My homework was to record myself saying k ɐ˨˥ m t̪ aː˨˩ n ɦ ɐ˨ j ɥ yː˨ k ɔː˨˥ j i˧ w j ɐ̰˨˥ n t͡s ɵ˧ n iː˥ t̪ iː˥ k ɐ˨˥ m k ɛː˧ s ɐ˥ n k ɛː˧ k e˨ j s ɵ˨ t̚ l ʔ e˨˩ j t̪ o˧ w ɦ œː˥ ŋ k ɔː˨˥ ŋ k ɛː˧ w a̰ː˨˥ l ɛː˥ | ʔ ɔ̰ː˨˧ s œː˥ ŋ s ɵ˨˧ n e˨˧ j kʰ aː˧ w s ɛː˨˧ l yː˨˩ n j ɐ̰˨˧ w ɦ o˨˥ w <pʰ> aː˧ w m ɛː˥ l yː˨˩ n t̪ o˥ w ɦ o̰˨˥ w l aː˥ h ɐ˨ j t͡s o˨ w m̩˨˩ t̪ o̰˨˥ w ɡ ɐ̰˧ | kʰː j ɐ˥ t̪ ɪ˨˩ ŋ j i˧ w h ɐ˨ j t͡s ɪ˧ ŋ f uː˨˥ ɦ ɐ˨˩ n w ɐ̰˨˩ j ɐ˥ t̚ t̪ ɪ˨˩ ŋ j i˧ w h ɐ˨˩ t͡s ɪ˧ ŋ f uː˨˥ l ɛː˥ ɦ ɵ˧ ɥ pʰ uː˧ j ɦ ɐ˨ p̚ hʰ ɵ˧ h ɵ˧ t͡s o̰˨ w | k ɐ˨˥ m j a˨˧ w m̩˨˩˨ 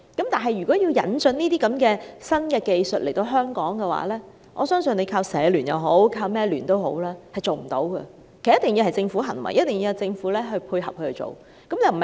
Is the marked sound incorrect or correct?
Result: incorrect